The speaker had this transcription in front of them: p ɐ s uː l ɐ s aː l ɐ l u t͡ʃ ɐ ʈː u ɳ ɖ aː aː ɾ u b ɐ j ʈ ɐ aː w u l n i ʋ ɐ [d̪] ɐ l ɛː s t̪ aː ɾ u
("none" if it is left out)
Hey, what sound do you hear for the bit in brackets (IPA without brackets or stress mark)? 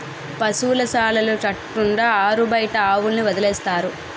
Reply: d̪